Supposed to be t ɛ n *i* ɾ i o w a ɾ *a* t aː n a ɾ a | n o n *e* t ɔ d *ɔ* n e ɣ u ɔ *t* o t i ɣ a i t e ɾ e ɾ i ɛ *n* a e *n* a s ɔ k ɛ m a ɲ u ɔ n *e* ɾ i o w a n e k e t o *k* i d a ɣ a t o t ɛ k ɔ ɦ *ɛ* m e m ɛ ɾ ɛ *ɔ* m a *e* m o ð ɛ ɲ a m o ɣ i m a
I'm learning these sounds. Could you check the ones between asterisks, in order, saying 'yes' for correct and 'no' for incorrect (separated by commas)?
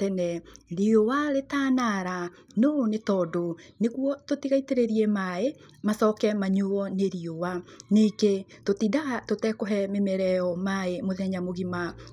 no, no, yes, no, yes, no, no, yes, no, yes, yes, yes